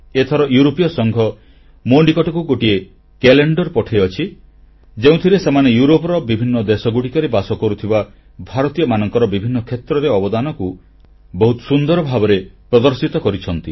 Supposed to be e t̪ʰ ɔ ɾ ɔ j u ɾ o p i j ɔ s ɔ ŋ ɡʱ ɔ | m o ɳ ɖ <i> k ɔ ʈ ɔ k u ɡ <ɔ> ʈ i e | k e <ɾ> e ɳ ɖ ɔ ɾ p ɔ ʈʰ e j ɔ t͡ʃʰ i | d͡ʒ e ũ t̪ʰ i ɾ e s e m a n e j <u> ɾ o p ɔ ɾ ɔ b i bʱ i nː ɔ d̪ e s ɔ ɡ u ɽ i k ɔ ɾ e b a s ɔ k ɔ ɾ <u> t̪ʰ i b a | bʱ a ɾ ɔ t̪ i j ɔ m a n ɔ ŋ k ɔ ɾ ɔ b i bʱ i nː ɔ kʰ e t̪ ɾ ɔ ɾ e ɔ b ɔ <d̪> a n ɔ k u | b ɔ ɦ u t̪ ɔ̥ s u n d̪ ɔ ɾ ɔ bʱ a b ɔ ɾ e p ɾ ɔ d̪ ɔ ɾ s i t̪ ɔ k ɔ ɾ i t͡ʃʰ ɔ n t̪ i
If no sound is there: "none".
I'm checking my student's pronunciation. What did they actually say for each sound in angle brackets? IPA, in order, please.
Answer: i, o, l, u, u, d̪

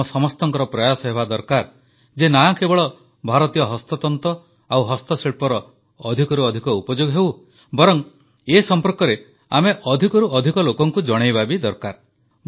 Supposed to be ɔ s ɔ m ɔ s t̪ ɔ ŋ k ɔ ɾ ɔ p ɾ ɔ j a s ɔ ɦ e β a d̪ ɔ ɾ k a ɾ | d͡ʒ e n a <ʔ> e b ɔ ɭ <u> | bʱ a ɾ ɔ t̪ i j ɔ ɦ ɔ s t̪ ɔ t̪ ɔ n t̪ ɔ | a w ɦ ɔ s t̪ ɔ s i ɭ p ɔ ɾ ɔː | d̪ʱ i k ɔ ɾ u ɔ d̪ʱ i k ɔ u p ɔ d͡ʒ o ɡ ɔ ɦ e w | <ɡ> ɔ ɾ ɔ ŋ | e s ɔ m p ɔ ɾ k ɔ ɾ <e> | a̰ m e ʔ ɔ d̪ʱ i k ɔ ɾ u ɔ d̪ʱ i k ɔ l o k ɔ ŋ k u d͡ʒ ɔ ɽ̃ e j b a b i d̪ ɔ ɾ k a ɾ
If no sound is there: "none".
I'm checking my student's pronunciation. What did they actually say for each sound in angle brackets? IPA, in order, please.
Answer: k, ɔ, b, e

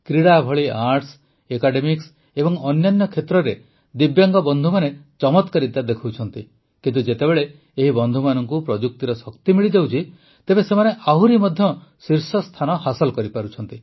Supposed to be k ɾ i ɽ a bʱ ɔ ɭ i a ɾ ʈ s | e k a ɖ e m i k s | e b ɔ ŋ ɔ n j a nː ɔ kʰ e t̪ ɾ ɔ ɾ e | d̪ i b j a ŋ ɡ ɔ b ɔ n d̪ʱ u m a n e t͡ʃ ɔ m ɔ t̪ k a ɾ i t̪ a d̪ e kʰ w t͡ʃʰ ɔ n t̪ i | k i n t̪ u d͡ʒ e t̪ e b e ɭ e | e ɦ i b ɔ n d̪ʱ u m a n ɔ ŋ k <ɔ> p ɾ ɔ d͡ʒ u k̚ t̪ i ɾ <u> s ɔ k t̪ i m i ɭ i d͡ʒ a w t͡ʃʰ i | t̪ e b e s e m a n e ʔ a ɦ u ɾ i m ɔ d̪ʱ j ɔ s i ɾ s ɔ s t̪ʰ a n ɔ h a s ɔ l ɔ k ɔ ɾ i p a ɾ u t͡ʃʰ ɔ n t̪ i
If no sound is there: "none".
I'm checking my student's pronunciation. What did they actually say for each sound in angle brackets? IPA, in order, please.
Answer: u, ɔ

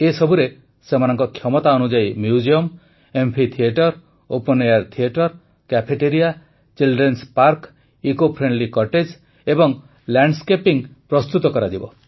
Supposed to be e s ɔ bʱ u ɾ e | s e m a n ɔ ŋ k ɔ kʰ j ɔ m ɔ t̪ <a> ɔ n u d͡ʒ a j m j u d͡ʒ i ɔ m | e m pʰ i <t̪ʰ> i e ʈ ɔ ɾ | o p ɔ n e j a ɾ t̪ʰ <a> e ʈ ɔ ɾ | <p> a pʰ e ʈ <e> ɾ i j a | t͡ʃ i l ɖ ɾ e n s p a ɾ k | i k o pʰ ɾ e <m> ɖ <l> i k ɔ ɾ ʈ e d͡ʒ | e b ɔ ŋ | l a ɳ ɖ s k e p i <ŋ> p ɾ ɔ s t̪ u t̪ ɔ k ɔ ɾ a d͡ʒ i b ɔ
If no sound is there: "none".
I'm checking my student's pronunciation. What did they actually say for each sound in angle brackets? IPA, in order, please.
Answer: a, t̪ʰ, i, k, e, ɳ, l, ŋ

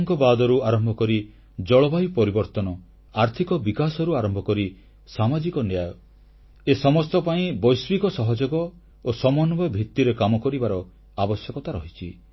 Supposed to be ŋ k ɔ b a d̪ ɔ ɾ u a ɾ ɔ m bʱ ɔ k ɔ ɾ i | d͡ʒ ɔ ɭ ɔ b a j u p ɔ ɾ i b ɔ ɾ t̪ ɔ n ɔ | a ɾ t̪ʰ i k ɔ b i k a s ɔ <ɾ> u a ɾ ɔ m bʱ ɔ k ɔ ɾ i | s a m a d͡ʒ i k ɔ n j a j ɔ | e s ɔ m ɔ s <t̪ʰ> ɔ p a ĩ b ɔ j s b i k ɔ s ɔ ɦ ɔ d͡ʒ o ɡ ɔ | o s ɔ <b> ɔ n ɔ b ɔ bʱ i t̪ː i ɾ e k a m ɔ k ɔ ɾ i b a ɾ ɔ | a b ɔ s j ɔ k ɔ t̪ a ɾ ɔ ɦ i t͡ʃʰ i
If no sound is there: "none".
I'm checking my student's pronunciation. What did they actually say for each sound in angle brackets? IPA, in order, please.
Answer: ɾ, t̪, m

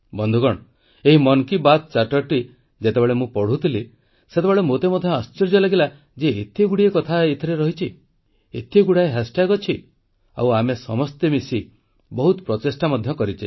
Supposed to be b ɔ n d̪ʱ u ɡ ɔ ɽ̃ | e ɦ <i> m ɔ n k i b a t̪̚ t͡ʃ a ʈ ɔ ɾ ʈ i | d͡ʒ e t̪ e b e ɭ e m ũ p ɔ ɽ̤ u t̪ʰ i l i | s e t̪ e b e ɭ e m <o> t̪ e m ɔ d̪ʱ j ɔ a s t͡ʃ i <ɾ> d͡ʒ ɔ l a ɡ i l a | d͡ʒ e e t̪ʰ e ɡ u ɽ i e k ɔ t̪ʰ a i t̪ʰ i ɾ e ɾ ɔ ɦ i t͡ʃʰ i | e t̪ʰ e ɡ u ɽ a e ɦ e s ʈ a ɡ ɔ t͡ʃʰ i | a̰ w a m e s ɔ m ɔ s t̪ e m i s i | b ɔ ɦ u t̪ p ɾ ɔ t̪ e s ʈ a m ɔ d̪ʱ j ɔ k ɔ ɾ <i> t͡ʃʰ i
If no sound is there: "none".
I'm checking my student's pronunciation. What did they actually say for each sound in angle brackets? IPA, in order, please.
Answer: i, o, ɾ, i

